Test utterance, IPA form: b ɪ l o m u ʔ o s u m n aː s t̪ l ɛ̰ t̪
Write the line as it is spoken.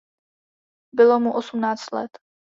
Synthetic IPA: b ɪ l o m u ʔ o s u m n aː t͡s t̪ l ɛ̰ t̪